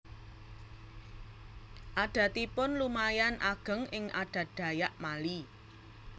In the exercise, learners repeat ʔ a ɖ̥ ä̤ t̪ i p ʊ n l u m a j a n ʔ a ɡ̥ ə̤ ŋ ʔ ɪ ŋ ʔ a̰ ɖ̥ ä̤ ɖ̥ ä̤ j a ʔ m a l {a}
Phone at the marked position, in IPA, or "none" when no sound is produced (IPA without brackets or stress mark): i